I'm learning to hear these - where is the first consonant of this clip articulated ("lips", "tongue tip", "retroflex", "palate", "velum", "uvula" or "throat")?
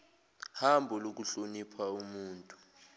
throat